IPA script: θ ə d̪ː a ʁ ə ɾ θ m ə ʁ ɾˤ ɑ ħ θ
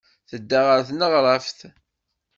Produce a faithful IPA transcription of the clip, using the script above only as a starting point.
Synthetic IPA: θ ə d̪ː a ʁ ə ɾ θ n ə ʁ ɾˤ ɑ f θ